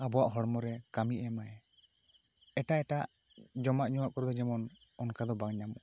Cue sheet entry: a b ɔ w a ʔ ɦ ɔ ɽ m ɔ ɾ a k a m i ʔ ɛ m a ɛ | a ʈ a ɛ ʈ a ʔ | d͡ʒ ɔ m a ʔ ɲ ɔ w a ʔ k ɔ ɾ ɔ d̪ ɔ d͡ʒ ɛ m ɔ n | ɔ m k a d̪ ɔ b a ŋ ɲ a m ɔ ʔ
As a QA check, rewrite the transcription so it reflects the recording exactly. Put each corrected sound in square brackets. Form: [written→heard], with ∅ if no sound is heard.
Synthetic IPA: a b ɔ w a ʔ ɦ ɔ ɽ m ɔ ɾ [a→ɛ] k a m i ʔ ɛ m a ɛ | [a→ɛ] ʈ a ɛ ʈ a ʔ | d͡ʒ ɔ m a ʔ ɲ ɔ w a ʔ k ɔ ɾ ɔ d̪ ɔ d͡ʒ ɛ m ɔ n | ɔ [m→n] k a d̪ ɔ b a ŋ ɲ a m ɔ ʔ